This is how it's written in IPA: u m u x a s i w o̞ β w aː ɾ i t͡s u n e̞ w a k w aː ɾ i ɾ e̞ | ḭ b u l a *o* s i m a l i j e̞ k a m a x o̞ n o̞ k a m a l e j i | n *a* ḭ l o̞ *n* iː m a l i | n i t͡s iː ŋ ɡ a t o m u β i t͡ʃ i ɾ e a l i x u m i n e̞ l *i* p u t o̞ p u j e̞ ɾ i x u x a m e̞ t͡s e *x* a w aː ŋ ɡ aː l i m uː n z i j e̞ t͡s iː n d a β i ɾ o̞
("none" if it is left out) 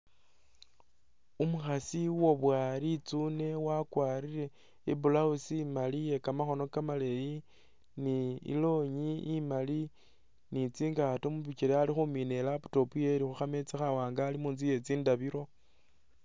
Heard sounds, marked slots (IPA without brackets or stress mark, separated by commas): u, i, ɲ, a, x